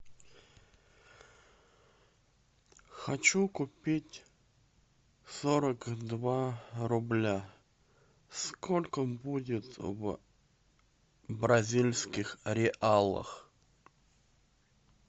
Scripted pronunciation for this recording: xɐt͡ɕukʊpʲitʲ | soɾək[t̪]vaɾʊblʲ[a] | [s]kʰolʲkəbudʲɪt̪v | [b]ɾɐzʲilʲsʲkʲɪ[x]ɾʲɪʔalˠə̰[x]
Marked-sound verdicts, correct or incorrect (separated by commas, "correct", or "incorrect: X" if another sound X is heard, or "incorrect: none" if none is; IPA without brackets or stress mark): incorrect: d̪, correct, correct, correct, correct, correct